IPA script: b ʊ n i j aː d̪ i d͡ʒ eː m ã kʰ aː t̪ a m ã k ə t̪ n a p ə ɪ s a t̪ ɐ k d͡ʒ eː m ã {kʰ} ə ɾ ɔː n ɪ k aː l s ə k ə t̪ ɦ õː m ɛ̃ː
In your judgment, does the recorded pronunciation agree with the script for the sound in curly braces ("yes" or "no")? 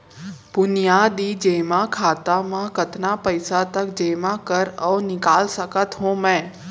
no